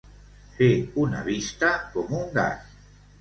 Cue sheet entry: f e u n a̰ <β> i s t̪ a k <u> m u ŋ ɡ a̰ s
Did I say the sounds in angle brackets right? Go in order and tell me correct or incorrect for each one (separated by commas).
correct, incorrect